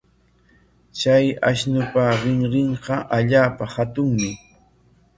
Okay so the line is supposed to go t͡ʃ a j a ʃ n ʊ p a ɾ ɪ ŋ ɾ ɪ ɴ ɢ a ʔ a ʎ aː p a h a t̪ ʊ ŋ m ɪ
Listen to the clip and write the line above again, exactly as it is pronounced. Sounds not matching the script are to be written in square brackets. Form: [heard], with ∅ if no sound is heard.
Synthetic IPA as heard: t͡ʃ a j a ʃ n ʊ p a ɾ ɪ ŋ ɾ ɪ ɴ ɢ [ɑ] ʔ a ʎ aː p a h a t̪ ʊ ŋ m ɪ